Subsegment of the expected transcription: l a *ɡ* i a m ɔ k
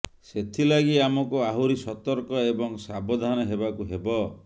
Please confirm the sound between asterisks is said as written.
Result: yes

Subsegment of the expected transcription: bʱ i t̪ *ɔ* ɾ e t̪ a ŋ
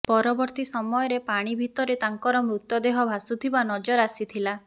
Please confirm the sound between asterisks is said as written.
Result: yes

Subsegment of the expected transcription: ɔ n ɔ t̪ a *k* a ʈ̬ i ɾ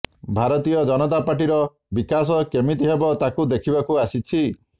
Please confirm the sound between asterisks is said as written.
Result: no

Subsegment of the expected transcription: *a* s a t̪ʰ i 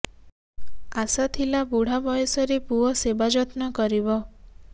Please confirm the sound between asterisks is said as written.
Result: yes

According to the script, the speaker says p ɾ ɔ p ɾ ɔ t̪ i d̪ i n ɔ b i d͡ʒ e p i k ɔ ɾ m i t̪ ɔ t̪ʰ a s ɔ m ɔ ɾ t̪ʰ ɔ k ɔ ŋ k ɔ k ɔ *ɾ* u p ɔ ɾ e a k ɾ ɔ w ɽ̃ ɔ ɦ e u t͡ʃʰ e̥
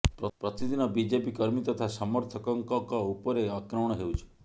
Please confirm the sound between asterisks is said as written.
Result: no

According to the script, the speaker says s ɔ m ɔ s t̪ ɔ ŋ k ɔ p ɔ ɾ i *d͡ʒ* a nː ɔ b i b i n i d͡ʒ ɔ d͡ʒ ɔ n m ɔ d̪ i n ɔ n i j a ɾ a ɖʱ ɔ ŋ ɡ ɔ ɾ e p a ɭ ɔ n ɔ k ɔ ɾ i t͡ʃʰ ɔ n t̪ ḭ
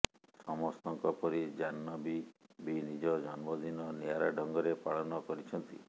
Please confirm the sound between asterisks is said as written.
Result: yes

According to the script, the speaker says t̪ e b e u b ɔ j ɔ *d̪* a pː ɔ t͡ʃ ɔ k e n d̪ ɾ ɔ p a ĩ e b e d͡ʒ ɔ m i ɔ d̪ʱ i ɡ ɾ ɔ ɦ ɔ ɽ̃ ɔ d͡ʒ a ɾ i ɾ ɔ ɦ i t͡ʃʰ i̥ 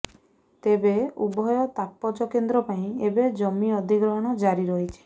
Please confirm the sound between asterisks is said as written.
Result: no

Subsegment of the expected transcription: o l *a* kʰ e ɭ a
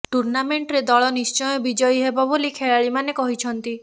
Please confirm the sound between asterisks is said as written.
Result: no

